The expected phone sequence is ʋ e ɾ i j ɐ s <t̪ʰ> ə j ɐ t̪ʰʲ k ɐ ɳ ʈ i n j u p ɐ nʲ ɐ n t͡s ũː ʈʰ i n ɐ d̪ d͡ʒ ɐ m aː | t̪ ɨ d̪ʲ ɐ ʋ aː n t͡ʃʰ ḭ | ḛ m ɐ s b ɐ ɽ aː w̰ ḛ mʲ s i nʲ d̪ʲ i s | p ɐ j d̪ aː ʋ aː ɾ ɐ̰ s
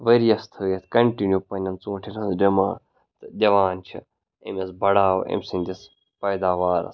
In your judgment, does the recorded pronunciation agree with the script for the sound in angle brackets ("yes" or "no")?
yes